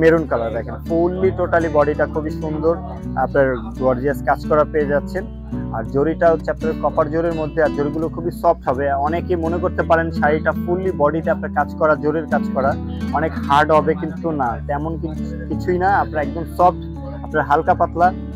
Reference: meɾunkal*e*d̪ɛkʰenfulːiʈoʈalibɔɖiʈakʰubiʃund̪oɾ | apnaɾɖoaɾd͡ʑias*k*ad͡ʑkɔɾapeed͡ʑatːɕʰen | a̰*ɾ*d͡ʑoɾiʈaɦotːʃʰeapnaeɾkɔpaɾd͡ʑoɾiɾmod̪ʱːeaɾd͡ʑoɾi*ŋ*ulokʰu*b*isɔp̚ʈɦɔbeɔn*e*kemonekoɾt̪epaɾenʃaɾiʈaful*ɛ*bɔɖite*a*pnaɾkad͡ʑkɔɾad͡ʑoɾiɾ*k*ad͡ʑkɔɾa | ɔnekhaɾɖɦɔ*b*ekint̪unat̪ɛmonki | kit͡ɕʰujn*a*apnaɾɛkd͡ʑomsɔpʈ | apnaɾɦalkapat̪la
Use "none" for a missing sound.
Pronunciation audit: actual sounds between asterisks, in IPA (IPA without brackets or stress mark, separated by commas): a, k, ɾ, ɡ, b, e, i, a, k, b, a